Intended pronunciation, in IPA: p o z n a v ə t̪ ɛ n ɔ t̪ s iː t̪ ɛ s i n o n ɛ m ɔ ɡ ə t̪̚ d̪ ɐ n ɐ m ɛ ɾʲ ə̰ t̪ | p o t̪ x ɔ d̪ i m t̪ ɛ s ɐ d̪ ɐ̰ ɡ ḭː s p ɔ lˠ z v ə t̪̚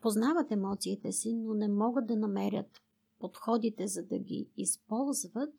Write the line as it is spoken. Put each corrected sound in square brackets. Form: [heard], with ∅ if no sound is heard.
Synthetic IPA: p o z n a v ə t̪ ɛ [m] ɔ t̪ s iː t̪ ɛ s i n o n ɛ m ɔ ɡ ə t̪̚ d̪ ɐ n ɐ m ɛ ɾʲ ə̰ t̪ | p o t̪ x ɔ d̪ i [∅] t̪ ɛ [z] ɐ d̪ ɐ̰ ɡ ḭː s p ɔ lˠ z v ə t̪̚